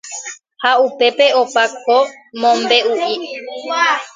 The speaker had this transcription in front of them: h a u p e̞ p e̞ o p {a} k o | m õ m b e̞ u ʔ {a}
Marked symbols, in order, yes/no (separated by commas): yes, no